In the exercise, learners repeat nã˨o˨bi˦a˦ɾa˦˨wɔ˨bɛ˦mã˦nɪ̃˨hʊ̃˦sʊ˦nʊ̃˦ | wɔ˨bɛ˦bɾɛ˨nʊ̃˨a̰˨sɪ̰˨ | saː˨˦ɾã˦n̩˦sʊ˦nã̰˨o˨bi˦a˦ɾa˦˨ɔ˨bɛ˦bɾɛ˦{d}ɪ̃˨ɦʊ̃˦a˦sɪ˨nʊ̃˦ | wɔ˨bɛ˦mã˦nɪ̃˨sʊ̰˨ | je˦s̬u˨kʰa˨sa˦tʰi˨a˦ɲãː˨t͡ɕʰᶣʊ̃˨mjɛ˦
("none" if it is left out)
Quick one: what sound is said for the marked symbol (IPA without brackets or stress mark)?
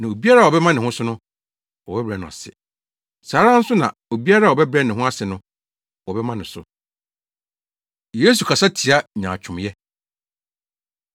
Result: n